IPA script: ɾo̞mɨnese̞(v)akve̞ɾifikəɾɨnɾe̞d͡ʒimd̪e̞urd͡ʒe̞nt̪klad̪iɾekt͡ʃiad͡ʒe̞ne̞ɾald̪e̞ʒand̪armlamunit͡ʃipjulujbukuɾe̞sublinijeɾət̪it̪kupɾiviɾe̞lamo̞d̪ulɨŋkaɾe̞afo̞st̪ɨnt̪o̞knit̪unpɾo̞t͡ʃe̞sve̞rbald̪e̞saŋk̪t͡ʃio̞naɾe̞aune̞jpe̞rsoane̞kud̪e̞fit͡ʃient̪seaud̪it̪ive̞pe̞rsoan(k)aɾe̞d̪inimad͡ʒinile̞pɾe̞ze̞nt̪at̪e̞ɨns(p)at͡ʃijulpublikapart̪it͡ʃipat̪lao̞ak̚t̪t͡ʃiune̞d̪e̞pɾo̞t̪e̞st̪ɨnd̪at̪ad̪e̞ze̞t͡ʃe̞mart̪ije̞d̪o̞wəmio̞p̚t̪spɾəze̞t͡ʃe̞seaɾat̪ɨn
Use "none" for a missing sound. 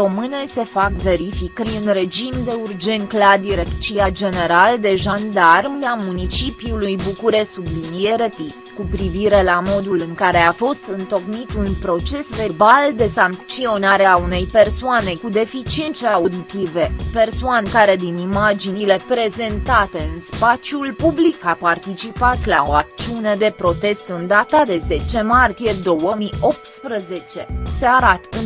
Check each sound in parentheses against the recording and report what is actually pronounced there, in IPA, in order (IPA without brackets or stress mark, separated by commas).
f, k, p